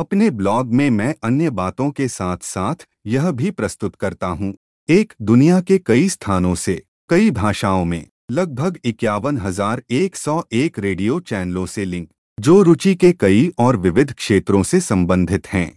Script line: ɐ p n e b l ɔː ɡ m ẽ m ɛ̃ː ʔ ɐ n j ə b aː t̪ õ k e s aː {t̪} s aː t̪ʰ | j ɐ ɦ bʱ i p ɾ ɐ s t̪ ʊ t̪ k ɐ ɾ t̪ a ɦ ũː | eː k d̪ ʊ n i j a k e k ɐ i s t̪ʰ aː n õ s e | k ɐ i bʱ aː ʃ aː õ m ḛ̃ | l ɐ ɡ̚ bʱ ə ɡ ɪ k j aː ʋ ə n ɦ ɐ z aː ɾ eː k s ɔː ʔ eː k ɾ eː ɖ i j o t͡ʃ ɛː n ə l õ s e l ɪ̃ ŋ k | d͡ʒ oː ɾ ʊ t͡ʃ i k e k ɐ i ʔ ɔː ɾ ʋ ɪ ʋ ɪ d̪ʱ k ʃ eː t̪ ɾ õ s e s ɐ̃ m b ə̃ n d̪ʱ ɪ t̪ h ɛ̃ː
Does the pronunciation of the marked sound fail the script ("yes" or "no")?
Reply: yes